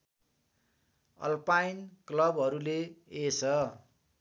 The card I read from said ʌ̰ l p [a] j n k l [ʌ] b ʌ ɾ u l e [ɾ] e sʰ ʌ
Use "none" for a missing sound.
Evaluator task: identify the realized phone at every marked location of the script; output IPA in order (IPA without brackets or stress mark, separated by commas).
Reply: a, ʌ, none